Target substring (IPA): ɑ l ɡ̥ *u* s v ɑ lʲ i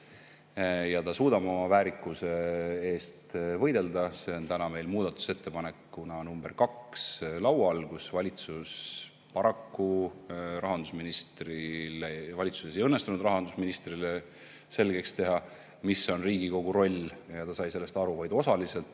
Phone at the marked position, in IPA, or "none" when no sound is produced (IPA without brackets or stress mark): u